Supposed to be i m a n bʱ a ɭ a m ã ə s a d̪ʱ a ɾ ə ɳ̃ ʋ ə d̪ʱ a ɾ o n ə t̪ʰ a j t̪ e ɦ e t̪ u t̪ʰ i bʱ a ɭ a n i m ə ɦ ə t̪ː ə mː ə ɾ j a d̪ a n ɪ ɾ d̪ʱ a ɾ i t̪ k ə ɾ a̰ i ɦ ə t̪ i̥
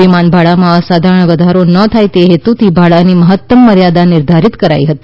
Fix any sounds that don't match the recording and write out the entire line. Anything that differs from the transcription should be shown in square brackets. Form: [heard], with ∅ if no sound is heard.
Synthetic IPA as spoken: i m a n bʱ a ɭ a m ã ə s a d̪ʱ a ɾ ə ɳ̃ ʋ ə d̪ʱ a ɾ o n ə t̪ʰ a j t̪ e ɦ e t̪ u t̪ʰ i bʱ a ɭ a n i m ə ɦ ə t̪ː ə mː ə ɾ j a d̪ a n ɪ ɾ d̪ʱ a ɾ i t̪ k ə ɾ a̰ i ɦ ə t̪ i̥